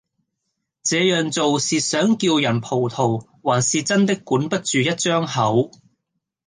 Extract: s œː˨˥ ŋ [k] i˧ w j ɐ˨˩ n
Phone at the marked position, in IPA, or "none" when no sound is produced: k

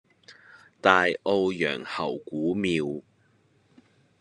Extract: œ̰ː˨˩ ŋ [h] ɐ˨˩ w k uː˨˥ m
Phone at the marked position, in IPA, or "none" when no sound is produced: h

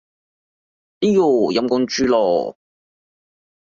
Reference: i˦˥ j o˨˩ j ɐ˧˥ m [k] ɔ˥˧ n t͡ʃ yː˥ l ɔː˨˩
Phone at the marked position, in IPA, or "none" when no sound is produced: k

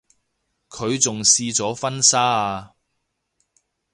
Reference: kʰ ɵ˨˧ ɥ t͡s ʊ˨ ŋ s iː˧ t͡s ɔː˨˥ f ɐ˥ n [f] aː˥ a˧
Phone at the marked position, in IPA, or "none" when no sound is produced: s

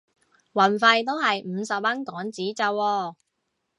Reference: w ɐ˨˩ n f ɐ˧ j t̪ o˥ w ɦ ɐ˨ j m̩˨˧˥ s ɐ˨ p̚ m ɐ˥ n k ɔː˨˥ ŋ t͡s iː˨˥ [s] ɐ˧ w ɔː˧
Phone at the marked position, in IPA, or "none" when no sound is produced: t͡s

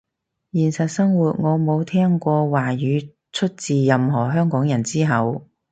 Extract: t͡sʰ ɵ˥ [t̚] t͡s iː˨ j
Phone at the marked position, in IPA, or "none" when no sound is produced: t̚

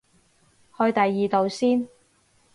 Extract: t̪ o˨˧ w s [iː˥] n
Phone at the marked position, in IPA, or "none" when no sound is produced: iː˥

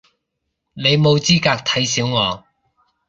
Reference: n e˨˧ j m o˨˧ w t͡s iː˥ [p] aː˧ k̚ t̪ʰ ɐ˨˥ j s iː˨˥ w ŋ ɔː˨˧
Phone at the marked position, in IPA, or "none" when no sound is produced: k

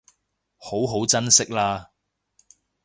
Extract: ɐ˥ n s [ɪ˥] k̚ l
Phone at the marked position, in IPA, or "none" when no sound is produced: ɪ˥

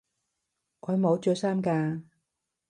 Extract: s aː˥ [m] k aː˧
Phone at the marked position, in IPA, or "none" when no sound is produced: m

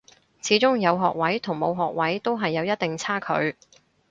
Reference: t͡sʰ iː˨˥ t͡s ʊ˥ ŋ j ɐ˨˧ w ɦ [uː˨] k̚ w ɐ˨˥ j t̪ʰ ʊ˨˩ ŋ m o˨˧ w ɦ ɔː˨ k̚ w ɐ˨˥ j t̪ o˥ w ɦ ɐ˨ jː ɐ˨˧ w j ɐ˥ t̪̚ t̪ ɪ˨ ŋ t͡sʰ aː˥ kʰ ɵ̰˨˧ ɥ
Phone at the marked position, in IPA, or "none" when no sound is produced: ɔː˨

